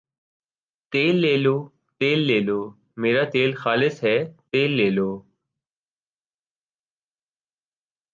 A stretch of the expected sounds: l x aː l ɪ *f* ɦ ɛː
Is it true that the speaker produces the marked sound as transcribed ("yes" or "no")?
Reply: no